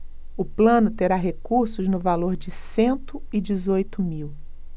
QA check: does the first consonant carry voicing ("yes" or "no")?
no